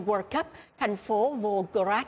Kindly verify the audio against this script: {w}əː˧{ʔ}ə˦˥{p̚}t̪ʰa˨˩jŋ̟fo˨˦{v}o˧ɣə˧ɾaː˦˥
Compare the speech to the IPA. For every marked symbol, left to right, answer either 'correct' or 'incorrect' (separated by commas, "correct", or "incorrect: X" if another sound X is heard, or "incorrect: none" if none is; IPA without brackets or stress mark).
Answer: correct, incorrect: k, correct, correct